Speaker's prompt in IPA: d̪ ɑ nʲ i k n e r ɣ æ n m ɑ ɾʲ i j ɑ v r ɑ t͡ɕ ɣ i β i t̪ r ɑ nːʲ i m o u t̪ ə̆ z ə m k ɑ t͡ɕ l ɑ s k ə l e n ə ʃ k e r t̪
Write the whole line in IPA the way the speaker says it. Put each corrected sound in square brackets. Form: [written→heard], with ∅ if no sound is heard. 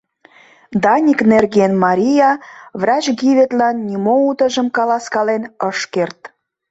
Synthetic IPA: d̪ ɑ nʲ i k n e r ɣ [æ→e] n m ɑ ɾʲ i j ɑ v r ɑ t͡ɕ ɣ i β [i→e] t̪ [r→l] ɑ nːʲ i m o u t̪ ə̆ [z→ʒ] ə m k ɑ [t͡ɕ→∅] l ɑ s k [ə→ɑ] l e n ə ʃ k e r t̪